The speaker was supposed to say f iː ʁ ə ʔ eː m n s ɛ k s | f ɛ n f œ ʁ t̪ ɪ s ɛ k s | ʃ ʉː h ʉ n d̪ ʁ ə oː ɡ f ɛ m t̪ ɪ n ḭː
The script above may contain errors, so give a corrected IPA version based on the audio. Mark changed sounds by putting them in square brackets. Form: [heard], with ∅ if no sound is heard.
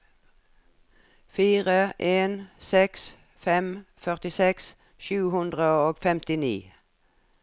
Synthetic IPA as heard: f iː ʁ ə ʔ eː [∅] n s ɛ k s | f ɛ [m] f œ ʁ t̪ ɪ s ɛ k s | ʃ ʉː h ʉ n d̪ ʁ ə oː ɡ f ɛ m t̪ ɪ n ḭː